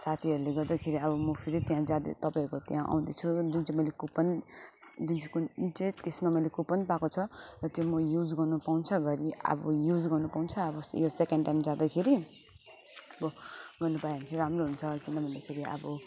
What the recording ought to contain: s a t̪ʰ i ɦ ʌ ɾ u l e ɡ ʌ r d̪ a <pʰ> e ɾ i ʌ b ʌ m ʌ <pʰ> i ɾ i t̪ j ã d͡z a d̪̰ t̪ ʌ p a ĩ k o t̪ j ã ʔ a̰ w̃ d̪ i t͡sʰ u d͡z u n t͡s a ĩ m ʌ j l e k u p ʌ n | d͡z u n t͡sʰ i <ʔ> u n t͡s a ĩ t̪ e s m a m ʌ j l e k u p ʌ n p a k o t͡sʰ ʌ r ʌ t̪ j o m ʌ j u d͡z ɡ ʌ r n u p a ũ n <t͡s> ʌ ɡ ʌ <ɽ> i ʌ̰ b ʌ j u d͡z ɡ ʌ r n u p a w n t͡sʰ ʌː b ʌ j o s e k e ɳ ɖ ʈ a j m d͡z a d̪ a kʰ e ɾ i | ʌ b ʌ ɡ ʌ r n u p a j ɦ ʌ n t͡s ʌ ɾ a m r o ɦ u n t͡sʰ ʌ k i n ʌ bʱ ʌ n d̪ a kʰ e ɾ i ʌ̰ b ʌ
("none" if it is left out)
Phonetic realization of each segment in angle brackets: kʰ, pʰ, k, t͡sʰ, ɾ

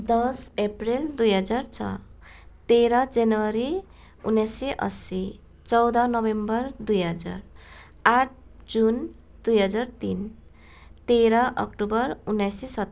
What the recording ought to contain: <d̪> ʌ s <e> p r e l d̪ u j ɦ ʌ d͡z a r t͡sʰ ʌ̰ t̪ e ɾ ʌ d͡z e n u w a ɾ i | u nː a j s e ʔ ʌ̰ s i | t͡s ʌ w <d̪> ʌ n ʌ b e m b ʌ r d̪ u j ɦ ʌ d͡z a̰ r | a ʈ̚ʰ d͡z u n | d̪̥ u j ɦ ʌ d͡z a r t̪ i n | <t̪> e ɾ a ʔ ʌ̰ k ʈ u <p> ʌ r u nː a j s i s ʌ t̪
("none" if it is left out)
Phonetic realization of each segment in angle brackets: d̪, e, d̪, t̪, b

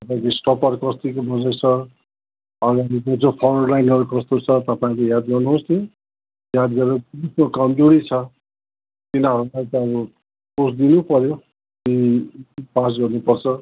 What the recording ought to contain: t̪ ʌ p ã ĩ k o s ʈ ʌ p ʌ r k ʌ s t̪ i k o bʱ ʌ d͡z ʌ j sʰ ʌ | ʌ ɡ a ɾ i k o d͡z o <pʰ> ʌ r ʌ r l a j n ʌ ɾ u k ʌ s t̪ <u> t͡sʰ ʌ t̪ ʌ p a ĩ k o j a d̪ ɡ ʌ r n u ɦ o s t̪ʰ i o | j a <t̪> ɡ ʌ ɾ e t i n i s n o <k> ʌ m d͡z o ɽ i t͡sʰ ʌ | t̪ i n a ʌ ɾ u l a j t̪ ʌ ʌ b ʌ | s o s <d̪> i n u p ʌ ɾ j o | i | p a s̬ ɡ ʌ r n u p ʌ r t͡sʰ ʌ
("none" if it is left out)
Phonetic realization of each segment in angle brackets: pʰ, o, d̪, k, d̪

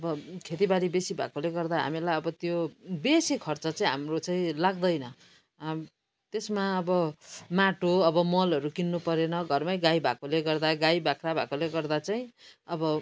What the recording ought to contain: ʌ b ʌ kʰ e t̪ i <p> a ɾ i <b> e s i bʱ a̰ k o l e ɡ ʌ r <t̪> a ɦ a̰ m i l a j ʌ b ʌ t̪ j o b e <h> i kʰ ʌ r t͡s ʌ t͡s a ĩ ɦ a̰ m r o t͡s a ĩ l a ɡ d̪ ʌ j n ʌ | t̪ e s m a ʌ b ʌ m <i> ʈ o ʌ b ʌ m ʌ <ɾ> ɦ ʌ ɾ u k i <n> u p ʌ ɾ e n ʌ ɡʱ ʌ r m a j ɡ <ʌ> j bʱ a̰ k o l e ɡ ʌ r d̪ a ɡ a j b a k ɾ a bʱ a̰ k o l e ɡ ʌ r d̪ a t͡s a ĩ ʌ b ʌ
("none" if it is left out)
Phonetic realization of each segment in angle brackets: b, b, d̪, s, a, l, nː, a

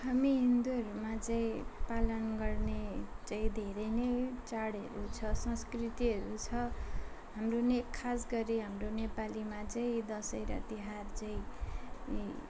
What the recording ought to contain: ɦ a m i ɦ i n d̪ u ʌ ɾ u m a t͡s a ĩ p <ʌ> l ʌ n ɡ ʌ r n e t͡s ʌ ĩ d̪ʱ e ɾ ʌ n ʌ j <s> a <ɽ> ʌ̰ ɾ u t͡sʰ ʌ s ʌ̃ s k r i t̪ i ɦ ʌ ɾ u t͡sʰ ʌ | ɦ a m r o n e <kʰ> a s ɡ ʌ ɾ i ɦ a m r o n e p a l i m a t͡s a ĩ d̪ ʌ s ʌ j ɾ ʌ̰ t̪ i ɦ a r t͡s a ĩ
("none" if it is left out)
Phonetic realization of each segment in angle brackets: a, t͡s, ɽ, kʰ

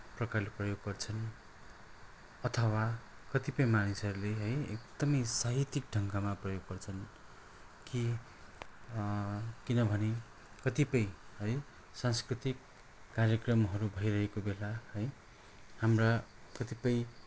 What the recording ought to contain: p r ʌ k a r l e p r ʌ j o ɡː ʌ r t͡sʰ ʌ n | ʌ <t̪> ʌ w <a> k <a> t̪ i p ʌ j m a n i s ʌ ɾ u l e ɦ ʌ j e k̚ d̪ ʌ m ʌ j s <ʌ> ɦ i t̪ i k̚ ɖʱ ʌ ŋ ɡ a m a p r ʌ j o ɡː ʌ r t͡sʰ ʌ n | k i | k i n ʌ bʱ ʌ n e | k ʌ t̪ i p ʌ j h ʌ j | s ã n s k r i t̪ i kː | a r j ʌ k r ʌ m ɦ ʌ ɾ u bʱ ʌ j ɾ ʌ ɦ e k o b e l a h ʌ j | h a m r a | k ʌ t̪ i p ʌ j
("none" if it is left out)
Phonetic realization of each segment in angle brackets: t̪ʰ, a, ʌ, a

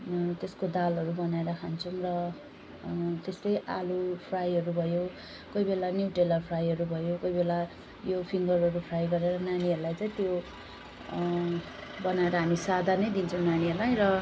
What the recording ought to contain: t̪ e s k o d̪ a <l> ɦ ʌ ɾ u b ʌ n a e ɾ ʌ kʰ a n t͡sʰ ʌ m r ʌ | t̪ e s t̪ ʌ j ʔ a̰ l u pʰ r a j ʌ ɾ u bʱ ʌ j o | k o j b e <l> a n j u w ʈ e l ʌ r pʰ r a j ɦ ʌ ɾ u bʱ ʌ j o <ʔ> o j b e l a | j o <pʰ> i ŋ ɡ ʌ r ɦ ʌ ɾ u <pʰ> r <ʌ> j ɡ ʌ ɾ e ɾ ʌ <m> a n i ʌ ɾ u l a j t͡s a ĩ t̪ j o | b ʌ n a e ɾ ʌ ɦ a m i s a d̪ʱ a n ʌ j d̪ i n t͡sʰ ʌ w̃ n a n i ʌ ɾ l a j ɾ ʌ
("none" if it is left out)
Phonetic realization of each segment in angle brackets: l, l, k, pʰ, pʰ, a, n

